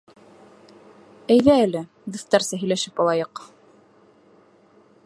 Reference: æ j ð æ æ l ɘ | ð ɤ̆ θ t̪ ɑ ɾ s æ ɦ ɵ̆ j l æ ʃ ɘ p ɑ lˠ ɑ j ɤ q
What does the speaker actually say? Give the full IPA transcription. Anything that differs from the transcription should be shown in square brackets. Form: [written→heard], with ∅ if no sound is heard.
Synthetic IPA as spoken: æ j ð æ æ l ɘ | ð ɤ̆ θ t̪ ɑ ɾ s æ ɦ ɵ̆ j l æ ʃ ɘ p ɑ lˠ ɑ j ɤ q